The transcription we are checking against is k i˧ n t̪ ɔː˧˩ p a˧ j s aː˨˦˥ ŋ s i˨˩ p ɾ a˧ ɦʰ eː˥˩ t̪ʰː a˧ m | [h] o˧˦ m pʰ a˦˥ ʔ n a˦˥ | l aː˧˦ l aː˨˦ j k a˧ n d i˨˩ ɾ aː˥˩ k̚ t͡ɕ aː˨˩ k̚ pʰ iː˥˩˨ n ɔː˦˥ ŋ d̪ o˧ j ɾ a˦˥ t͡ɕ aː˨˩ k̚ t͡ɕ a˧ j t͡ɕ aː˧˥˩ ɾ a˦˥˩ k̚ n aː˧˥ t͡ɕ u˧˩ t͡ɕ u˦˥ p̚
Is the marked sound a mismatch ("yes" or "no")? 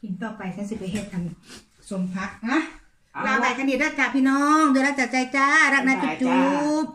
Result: yes